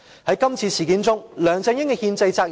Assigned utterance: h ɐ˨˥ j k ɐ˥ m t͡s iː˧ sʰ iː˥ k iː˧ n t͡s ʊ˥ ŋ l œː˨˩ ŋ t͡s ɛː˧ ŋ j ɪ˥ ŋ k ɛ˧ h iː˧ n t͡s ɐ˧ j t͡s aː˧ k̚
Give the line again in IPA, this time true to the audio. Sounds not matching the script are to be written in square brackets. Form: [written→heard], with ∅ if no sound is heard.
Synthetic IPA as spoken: h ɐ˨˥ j k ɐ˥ m [t͡s→t͡sʰ] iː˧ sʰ [iː˥→iː˨˩] k [iː˧→iː˨˥] n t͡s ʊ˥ ŋ l œː˨˩ ŋ t͡s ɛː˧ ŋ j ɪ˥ ŋ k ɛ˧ h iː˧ n t͡s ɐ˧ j t͡s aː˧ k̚